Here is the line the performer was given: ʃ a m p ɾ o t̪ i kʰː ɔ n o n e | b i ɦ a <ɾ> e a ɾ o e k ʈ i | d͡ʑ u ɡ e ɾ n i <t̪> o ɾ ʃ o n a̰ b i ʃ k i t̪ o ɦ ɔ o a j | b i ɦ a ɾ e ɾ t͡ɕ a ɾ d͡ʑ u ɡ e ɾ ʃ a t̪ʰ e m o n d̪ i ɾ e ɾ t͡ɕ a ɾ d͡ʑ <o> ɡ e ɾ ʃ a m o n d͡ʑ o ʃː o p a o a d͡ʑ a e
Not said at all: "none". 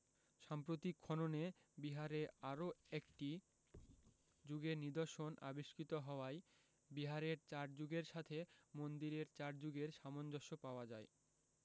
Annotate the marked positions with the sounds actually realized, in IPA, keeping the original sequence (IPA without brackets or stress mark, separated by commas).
ɾ, d̪, u